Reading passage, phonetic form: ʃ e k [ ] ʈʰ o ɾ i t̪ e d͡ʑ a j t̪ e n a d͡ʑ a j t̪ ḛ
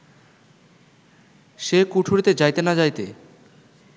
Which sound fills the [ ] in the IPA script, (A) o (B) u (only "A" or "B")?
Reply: B